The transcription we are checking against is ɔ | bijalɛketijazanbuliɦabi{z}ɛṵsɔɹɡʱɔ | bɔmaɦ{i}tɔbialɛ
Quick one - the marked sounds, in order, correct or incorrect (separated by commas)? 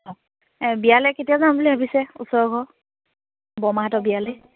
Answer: incorrect, incorrect